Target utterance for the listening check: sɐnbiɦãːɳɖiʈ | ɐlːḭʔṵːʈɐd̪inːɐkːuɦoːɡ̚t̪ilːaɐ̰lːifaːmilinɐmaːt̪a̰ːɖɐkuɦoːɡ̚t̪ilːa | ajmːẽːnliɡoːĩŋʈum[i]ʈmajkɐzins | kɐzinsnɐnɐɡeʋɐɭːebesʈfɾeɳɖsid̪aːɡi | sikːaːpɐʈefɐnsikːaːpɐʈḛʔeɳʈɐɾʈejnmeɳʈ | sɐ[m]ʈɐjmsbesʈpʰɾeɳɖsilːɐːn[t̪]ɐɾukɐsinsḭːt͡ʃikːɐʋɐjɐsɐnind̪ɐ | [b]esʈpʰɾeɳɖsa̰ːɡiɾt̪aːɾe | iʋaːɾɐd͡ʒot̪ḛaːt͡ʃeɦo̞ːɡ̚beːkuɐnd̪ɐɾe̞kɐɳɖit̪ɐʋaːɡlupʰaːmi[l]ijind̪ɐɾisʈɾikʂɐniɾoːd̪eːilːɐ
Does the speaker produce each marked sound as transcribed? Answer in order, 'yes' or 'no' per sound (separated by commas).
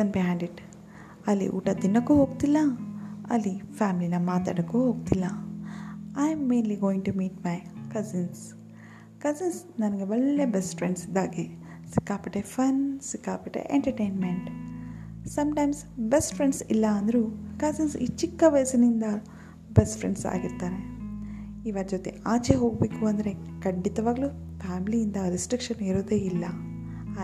no, yes, no, yes, yes